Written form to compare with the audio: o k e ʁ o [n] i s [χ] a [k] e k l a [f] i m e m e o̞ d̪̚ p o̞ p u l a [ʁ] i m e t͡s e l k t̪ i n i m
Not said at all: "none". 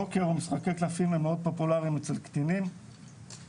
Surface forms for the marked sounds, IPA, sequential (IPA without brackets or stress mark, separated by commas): m, χ, k, f, ʁ